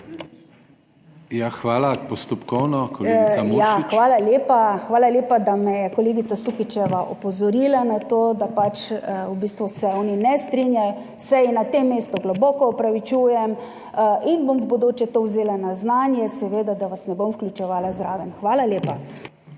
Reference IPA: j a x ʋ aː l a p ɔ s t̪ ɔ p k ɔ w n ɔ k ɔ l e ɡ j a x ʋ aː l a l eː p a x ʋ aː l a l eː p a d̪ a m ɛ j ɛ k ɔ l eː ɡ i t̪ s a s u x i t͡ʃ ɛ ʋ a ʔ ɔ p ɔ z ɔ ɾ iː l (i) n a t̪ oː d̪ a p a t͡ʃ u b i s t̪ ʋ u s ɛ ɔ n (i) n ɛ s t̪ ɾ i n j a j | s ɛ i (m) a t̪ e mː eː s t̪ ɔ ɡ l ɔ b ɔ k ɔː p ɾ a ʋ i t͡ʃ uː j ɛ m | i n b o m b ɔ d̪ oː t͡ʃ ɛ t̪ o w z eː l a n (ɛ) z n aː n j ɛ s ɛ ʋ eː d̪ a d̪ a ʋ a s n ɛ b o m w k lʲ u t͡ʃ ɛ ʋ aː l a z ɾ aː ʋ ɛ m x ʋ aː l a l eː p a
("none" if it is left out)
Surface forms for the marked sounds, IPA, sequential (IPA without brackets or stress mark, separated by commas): a, i, n, a